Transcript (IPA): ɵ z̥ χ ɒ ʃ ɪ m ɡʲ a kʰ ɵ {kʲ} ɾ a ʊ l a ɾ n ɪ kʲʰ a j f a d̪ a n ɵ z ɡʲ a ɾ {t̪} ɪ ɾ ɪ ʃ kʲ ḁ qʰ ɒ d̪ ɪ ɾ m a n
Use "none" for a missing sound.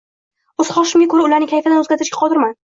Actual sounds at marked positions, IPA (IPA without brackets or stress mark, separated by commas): none, t̪